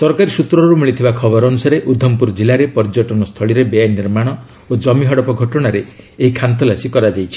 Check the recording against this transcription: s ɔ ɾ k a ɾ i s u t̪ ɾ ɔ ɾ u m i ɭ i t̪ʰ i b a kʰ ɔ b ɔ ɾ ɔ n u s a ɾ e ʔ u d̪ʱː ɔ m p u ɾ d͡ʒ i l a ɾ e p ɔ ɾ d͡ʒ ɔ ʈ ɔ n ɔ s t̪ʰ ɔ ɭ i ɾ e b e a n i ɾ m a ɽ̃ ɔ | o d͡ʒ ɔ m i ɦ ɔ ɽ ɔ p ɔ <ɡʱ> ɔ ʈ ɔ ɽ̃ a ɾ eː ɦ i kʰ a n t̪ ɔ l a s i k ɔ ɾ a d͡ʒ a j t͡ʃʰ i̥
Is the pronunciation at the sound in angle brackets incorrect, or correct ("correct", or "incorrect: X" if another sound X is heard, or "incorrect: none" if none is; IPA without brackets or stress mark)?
correct